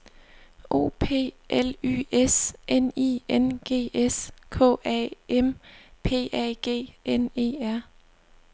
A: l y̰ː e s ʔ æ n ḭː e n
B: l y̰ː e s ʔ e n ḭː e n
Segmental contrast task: B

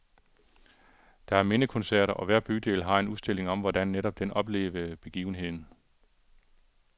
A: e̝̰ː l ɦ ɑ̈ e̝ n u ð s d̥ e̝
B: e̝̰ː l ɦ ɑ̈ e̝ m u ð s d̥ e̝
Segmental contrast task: A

